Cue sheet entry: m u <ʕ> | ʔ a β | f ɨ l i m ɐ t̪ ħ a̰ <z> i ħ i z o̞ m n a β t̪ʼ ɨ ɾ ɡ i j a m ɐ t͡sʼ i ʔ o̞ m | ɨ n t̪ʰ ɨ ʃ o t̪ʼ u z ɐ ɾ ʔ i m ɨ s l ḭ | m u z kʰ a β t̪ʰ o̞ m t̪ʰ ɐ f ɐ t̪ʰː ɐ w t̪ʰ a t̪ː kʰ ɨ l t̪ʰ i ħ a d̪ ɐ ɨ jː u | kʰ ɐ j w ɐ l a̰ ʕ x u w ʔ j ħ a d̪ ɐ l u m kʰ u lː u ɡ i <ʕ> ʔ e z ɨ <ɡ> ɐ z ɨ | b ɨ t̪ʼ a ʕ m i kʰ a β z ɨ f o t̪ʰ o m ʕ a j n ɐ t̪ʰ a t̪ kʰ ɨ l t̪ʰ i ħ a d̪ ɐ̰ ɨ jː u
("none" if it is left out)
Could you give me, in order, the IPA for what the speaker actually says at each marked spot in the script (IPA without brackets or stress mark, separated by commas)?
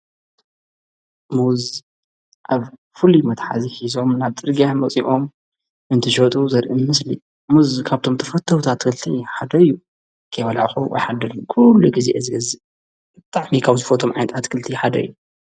z, z, z, ɡ